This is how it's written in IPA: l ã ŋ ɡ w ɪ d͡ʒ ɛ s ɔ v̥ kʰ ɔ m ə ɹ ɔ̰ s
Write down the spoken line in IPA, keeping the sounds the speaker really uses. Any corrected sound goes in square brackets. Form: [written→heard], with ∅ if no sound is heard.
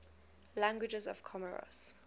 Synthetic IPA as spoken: l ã ŋ ɡ w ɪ d͡ʒ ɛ [s→z] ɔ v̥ kʰ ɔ m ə ɹ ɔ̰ s